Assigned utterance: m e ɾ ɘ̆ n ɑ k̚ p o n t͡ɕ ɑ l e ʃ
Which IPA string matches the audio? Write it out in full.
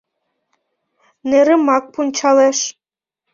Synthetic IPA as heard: n e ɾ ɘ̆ m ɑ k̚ p u n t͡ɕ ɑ l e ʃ